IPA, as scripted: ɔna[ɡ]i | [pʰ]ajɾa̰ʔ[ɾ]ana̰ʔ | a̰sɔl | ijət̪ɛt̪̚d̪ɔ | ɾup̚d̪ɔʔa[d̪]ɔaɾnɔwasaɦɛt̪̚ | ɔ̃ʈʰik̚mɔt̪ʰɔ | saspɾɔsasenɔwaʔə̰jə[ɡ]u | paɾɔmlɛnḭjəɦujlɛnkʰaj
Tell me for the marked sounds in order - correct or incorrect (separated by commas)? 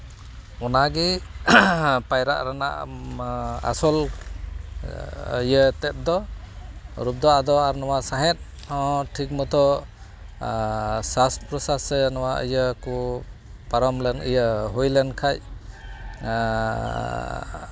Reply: correct, incorrect, correct, correct, incorrect